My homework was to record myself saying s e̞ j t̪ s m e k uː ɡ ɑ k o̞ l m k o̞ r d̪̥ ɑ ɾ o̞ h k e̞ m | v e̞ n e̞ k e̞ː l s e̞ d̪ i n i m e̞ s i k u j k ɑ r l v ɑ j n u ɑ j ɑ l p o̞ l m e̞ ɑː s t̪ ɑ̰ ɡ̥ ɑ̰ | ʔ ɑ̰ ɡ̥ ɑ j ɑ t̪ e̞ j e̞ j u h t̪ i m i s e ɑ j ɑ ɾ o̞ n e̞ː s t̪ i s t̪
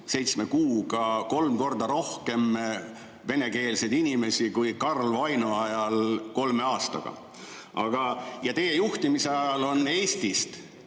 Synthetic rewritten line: s e̞ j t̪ s m e k uː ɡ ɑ k o̞ l m k o̞ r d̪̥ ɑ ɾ o̞ h k e̞ m | v e̞ n e̞ k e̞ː l s e̞ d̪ i n i m e̞ s i k u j k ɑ r l v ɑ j n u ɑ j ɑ l k o̞ l m e̞ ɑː s t̪ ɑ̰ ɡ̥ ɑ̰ | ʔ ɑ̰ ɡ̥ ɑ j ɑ t̪ e̞ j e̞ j u h t̪ i m i s e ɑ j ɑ l o̞ n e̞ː s t̪ i s t̪